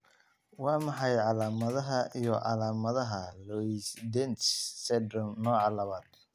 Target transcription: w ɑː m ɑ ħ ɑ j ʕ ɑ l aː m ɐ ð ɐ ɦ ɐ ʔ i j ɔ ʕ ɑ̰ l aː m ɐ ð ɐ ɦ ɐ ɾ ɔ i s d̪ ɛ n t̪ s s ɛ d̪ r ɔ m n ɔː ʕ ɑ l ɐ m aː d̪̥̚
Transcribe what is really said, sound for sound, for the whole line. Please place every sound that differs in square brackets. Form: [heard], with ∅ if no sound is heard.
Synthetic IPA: w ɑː m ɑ ħ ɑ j ʕ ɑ l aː m ɐ ð ɐ ɦ ɐ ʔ i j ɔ ʕ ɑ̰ l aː m ɐ ð ɐ ɦ ɐ [l] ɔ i s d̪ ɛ n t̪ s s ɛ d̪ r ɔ m n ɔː ʕ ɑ l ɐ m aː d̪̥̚